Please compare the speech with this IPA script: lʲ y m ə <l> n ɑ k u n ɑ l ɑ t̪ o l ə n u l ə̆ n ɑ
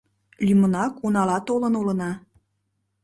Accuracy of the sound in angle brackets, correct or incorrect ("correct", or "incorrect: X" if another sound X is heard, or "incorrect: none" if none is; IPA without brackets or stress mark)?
incorrect: none